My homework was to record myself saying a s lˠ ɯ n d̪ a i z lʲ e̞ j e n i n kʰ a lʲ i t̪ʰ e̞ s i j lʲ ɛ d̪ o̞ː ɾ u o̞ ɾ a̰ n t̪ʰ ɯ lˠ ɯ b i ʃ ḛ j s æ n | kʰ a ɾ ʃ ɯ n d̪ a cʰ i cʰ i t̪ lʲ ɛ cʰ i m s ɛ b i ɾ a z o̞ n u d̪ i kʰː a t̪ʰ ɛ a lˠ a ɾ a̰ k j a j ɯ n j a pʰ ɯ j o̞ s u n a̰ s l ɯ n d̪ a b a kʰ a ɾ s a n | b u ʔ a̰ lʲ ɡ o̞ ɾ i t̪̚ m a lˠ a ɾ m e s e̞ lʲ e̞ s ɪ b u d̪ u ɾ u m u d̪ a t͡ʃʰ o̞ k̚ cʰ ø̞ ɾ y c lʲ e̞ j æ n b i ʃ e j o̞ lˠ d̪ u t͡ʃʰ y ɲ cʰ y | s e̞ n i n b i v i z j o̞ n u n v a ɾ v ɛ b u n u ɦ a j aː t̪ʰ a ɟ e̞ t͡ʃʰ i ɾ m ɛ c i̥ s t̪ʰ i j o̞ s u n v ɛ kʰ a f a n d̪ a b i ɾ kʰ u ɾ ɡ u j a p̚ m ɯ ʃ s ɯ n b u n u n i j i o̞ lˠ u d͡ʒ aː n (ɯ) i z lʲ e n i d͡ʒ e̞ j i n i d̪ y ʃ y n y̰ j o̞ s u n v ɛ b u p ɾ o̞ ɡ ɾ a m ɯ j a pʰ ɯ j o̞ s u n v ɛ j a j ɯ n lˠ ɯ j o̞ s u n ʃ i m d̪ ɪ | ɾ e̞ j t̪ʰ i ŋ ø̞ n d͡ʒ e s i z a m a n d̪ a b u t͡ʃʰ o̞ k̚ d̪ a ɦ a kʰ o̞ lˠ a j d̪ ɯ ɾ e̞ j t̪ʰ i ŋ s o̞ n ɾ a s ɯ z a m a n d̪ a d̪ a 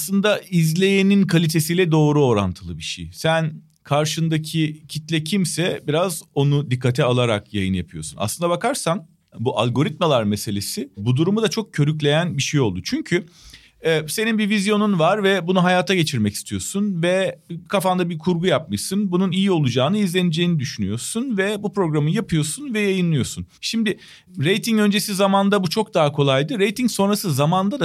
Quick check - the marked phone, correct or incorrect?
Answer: correct